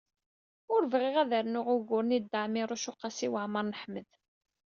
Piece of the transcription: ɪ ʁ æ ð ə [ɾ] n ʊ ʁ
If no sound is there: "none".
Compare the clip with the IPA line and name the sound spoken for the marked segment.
ɾ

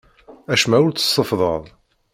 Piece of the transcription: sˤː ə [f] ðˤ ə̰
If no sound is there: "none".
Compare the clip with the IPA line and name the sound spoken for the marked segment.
f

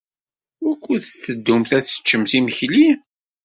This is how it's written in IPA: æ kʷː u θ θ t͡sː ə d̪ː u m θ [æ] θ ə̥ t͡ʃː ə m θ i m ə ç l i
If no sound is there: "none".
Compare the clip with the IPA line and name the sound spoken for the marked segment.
æ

